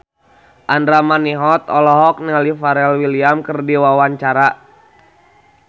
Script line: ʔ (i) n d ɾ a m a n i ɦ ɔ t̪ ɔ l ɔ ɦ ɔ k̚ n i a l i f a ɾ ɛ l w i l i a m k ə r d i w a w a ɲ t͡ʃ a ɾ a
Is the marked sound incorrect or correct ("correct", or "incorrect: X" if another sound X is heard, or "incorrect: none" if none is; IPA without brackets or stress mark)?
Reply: incorrect: a